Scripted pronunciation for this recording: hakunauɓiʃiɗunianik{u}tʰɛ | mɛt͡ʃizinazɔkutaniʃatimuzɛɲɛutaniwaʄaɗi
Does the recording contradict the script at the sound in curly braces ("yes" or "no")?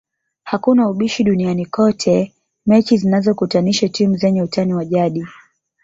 yes